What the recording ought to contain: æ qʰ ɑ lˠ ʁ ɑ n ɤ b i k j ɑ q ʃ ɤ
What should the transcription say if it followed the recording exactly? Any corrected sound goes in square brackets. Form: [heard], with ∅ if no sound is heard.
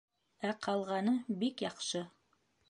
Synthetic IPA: æ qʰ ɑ lˠ ʁ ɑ n ɤ b i k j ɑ q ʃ ɤ